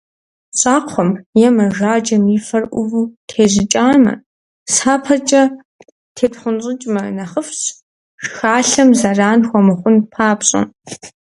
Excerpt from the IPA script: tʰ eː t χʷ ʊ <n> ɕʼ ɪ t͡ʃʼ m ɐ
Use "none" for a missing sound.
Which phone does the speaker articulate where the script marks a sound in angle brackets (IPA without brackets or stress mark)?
n